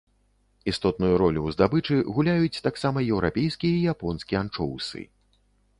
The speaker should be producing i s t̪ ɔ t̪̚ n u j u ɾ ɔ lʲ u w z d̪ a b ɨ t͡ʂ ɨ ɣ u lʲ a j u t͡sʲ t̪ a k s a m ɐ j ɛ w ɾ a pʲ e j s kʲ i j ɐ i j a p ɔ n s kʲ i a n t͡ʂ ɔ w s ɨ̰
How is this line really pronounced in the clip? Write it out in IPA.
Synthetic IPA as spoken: i s t̪ ɔ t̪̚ n u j u ɾ ɔ lʲ u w z d̪ a b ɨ t͡ʂ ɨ ɣ u lʲ a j u t͡sʲ t̪ a k s a m ɐ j ɛ w ɾ a pʲ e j s kʲ i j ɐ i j a p ɔ n s kʲ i a n t͡ʂ ɔ w s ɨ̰

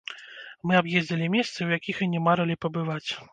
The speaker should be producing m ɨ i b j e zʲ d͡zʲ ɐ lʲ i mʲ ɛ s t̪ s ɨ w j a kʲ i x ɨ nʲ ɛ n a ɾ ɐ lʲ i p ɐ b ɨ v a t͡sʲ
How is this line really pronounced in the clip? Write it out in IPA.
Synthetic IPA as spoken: m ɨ a b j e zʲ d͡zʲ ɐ lʲ i mʲ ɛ s t̪ s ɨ w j a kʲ i x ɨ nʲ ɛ m a ɾ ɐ lʲ i p ɐ b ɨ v a t͡sʲ

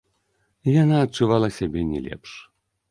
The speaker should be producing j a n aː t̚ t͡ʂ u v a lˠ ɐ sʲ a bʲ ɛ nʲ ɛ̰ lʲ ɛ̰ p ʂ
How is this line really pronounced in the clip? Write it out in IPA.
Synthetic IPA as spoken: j a n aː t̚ t͡ʂ u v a lˠ ɐ sʲ a bʲ ɛ nʲ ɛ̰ lʲ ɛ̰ p ʂ

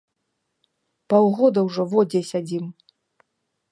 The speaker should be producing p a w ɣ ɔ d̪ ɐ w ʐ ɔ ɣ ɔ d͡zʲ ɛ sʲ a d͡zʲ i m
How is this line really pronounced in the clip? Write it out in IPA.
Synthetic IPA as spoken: p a w ɣ ɔ d̪ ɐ w ʐ ɔ v ɔ d͡zʲ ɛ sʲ a d͡zʲ i m

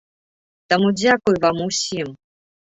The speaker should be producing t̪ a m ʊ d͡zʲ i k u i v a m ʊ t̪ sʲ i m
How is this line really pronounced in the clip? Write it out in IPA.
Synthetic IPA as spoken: t̪ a m u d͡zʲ a k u j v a m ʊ sʲ i m

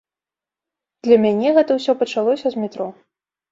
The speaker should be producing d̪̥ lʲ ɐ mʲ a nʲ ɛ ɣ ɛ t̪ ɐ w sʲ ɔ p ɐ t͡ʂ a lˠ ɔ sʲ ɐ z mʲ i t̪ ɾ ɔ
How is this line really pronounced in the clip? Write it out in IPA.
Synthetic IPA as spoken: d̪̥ lʲ ɐ mʲ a nʲ ɛ ɣ ɛ t̪ ɐ w sʲ ɔ p ɐ t͡ʂ a lˠ ɔ sʲ ɐ z mʲ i t̪ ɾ ɔ

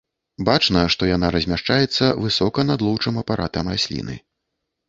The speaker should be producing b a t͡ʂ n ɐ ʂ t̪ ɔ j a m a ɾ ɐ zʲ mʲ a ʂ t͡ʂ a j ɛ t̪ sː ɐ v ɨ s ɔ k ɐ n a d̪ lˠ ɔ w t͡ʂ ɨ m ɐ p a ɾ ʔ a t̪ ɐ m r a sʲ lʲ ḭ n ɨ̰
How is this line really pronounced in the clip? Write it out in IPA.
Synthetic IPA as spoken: b a t͡ʂ n ɐ ʂ t̪ ɔ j a n a ɾ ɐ zʲ mʲ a ʂ t͡ʂ a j ɛ t̪ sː ɐ v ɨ s ɔ k ɐ n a d̪ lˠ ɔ w t͡ʂ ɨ m ɐ p a ɾ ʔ a t̪ ɐ m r a sʲ lʲ ḭ n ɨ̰

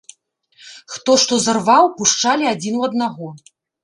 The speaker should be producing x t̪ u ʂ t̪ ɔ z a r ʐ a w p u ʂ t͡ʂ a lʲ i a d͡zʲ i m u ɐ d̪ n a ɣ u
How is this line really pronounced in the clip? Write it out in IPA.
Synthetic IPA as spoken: x t̪ ɔ ʂ t̪ ɔ z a r v a w p u ʂ t͡ʂ a lʲ i a d͡zʲ i n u ɐ d̪ n a ɣ ɔ

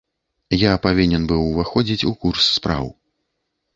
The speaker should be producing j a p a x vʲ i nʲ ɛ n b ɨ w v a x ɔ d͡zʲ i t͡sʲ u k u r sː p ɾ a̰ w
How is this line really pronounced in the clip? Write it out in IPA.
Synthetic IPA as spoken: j a p a vʲ i nʲ ɛ n b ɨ w v a x ɔ d͡zʲ i t͡sʲ u k u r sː p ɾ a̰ w

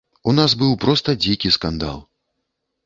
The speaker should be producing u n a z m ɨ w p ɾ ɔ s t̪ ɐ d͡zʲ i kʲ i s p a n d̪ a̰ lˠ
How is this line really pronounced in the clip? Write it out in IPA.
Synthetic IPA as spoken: u n a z b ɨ w p ɾ ɔ s t̪ ɐ d͡zʲ i kʲ i s k a n d̪ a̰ lˠ

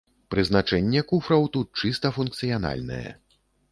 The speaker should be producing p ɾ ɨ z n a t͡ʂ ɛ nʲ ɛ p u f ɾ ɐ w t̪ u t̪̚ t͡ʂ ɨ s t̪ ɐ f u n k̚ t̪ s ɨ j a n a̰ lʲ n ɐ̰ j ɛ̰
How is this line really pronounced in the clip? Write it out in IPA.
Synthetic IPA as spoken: p ɾ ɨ z n a t͡ʂ ɛ nʲː ɛ k u f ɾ ɐ w t̪ u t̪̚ t͡ʂ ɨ s t̪ ɐ f u n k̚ t̪ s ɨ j a n a̰ lʲ n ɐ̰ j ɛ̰

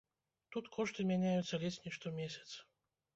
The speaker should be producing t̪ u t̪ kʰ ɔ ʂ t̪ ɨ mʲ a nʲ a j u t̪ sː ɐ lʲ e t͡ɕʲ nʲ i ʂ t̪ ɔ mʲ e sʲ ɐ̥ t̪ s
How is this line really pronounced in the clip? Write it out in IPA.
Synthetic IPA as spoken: t̪ u t̪ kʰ ɔ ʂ t̪ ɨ mʲ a nʲ a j u t̪ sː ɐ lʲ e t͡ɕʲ nʲ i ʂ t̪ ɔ mʲ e sʲ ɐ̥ t̪ s

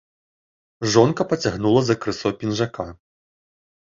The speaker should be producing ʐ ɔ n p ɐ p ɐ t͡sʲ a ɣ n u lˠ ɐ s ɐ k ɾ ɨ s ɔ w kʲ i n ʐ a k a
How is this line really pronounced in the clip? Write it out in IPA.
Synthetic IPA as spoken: ʐ ɔ n k ɐ p ɐ t͡sʲ a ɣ n u lˠ ɐ z ɐ k ɾ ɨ s ɔ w pʲ i n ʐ a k a

